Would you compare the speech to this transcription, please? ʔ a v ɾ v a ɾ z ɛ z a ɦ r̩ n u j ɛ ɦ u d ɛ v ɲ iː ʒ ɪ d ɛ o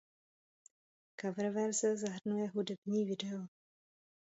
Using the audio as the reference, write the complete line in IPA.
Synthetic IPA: k a v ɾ v ɛ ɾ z ɛ z a ɦ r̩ n u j ɛ ɦ u d ɛ b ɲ iː v ɪ d ɛ o